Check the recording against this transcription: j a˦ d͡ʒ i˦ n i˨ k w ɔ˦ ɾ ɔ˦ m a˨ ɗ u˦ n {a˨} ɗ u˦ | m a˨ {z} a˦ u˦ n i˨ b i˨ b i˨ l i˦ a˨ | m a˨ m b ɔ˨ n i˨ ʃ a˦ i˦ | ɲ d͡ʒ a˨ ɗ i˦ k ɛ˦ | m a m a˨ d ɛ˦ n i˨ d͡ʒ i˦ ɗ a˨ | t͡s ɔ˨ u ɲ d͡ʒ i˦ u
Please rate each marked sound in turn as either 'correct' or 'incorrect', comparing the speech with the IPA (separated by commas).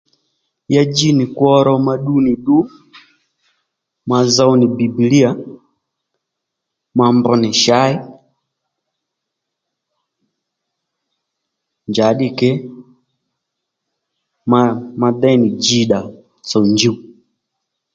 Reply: incorrect, correct